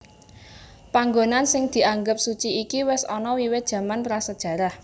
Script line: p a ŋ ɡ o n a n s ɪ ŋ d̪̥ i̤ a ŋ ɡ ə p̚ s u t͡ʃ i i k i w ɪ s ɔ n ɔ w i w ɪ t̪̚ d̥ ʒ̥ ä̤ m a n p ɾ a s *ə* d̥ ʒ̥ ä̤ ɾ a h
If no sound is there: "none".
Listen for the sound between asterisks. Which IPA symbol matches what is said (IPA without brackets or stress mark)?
ə